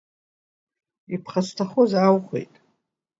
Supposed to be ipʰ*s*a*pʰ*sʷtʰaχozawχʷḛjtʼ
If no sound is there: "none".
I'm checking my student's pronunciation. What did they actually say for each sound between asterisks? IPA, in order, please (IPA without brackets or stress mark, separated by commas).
χ, none